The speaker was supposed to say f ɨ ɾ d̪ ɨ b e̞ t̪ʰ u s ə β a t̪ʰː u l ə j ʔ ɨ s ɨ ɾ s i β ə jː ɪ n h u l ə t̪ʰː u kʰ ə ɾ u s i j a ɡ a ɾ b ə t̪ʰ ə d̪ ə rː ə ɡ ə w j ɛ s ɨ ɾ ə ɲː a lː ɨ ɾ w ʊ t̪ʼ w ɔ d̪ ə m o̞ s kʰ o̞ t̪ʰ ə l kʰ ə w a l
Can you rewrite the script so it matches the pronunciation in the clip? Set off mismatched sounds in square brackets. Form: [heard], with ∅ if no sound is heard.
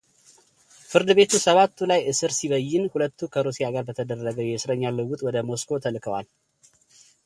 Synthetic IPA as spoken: f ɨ ɾ d̪ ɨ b e̞ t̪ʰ u s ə β a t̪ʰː u l [a] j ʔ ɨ s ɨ ɾ s i β ə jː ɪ n h u l ə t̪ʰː u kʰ ə ɾ u s i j a ɡ a ɾ b ə t̪ʰ ə d̪ ə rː ə ɡ ə w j ɛ s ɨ ɾ ə ɲː a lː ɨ [∅] w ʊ t̪ʼ w ɔ d̪ ə m o̞ s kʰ o̞ t̪ʰ ə l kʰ ə w a l